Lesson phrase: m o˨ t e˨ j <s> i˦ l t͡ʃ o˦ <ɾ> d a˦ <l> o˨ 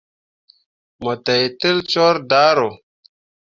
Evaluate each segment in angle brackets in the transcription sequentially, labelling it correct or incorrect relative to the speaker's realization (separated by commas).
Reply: incorrect, correct, incorrect